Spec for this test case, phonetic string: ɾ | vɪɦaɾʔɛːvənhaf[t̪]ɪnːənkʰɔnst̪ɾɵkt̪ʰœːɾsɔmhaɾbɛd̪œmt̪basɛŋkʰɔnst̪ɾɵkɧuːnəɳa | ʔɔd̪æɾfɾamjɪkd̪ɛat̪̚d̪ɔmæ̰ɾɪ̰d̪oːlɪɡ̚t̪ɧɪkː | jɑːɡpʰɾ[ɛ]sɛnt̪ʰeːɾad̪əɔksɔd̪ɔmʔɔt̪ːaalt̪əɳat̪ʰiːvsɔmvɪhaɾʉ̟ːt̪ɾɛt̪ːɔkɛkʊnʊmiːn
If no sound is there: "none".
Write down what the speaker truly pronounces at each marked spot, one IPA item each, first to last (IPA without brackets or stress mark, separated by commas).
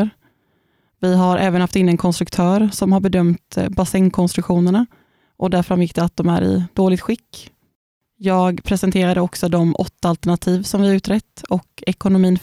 t̪, ɛ